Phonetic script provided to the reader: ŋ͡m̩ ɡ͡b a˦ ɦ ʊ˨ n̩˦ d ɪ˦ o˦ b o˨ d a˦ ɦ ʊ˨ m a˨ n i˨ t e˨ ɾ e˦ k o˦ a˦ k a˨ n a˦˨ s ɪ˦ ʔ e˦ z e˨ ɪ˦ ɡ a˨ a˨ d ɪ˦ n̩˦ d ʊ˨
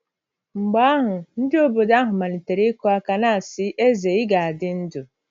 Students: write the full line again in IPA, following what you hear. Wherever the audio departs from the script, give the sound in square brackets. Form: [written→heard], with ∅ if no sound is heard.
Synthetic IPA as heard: ŋ͡m̩ ɡ͡b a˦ ɦ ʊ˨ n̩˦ d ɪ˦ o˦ b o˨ d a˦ ɦ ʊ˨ m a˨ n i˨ t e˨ ɾ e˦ k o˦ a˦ k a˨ n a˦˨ s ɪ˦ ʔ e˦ z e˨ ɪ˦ ɡ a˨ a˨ d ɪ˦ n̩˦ d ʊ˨